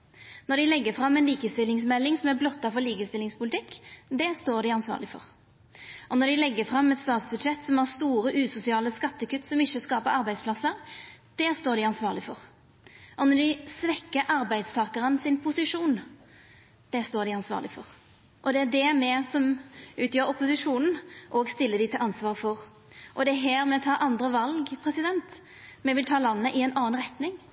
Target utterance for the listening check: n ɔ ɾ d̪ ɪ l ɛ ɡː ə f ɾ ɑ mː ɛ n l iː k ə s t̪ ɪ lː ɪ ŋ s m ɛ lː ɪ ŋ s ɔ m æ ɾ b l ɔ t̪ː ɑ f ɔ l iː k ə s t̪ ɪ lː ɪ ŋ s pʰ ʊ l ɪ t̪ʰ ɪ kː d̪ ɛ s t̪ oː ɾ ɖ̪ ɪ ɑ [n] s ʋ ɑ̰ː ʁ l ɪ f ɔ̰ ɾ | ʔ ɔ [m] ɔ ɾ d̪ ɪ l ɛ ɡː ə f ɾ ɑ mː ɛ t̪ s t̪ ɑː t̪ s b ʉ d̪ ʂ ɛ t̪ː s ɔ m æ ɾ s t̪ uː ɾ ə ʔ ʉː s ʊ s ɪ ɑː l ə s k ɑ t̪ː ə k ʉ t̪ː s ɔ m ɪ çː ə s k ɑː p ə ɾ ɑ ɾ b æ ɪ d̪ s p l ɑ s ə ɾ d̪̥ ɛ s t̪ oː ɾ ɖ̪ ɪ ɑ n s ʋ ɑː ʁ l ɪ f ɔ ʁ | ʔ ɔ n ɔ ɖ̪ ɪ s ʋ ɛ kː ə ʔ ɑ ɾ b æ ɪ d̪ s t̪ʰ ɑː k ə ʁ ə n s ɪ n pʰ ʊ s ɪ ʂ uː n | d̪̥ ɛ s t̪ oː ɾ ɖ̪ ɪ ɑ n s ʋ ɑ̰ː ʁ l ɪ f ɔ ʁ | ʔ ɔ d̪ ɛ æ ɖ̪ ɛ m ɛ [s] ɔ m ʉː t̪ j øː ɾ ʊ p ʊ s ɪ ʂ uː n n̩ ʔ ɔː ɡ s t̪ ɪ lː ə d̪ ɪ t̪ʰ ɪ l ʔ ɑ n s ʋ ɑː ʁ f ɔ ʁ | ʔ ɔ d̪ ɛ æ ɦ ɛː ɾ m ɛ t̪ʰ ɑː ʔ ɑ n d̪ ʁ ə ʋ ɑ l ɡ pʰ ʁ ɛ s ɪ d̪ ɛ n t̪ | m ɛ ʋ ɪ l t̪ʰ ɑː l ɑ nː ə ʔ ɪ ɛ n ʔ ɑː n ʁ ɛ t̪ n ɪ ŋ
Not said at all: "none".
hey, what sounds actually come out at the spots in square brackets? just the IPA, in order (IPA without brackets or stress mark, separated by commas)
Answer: n, n, s